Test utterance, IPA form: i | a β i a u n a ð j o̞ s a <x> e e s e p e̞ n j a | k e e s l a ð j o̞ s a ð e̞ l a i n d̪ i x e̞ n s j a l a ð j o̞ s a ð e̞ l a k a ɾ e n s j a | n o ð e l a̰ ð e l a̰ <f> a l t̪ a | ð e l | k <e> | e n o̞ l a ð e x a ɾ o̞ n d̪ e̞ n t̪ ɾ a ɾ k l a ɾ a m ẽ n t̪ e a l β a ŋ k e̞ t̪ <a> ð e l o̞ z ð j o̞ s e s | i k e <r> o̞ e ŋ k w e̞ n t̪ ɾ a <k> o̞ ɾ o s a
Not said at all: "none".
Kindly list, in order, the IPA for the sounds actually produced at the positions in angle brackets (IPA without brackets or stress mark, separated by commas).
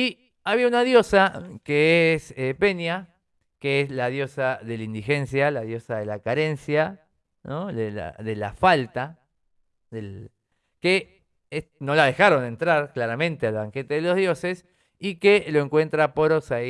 k, f, e, e, l, p